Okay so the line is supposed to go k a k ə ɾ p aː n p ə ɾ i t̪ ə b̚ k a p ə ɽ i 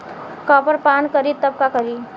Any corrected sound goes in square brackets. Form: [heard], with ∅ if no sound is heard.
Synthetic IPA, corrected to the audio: k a [p] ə ɾ p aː n [k] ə ɾ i t̪ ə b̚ k a [k] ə [ɾ] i